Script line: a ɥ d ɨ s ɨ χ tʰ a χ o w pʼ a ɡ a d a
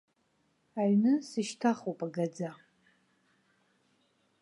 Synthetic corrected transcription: a ɥ n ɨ s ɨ ʃ tʰ a χ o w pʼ a ɡ a d͡z a